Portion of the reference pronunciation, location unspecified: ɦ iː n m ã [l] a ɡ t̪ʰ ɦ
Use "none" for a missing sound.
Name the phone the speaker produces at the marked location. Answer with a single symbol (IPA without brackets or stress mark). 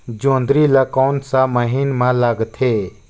l